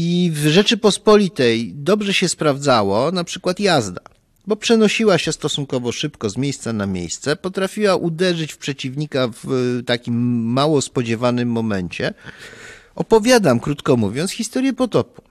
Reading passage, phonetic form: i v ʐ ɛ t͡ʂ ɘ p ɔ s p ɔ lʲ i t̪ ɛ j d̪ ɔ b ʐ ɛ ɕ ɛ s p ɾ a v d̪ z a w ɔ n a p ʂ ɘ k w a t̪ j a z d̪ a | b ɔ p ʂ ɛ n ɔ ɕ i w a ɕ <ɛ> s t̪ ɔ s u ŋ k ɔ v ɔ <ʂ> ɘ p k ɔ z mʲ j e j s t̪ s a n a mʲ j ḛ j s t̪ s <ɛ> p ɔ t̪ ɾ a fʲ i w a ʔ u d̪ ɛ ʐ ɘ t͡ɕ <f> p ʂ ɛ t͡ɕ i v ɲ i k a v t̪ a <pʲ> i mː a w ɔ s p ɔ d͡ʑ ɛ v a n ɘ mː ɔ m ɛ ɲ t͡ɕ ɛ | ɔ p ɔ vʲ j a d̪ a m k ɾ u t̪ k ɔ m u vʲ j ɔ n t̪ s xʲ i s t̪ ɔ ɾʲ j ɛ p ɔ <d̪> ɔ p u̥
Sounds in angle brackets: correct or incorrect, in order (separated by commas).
correct, correct, correct, correct, incorrect, incorrect